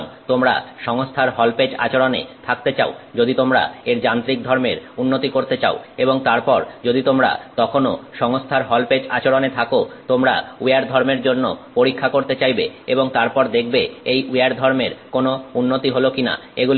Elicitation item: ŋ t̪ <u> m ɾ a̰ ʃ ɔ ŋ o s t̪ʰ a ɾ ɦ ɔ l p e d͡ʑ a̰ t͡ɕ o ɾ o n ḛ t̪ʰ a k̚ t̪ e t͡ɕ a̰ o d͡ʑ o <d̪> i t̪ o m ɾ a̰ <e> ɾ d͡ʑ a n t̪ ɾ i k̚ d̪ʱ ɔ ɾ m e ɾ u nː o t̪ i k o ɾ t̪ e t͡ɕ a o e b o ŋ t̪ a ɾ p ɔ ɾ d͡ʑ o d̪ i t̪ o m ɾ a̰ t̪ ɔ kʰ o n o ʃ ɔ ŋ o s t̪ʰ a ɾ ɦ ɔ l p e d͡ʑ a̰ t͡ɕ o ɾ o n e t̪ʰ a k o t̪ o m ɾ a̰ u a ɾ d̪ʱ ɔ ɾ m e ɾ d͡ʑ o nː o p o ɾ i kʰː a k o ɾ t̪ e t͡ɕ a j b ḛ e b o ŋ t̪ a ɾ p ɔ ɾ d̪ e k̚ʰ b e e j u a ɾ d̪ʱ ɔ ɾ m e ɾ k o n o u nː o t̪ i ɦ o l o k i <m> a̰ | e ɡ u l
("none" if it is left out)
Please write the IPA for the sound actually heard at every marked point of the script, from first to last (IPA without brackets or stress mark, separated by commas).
o, d̪, e, n